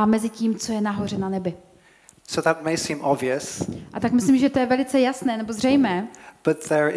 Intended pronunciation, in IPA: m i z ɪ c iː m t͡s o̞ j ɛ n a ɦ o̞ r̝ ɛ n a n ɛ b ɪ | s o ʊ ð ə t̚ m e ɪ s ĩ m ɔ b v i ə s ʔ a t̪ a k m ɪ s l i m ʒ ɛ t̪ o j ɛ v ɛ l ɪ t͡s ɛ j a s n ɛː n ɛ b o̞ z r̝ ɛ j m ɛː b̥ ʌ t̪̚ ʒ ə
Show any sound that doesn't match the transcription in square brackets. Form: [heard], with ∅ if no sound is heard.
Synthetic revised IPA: m [ɛ] z ɪ c iː m t͡s o̞ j ɛ n a ɦ o̞ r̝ ɛ n a n ɛ b ɪ | s o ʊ ð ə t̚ m e ɪ s ĩ m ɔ b v i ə s ʔ a t̪ a k m ɪ s l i m ʒ ɛ t̪ o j ɛ v ɛ l ɪ t͡s ɛ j a s n ɛː n ɛ b o̞ z r̝ ɛ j m ɛː b̥ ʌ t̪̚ [ð] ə